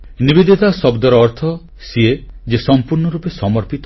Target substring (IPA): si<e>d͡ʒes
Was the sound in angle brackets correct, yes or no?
yes